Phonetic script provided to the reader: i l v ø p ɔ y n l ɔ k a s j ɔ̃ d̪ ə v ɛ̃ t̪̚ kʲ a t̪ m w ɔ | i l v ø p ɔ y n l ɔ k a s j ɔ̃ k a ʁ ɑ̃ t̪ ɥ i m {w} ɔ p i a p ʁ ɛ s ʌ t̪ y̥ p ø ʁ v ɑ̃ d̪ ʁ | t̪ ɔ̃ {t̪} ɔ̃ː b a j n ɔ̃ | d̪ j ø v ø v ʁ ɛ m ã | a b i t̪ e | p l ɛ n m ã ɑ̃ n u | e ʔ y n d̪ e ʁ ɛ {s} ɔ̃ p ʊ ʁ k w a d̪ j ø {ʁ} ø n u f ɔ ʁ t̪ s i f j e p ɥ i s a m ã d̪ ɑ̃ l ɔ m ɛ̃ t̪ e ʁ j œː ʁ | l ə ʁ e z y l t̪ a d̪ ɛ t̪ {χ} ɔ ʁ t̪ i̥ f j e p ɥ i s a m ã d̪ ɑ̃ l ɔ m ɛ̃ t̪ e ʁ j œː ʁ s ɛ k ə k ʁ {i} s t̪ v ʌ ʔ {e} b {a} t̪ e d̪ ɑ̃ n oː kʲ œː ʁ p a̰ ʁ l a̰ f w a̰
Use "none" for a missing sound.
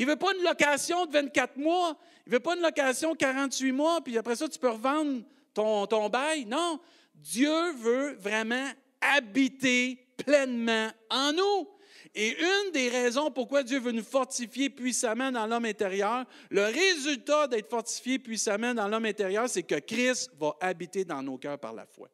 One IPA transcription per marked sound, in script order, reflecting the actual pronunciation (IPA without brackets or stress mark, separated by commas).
w, t̪, z, v, f, ɪ, a, i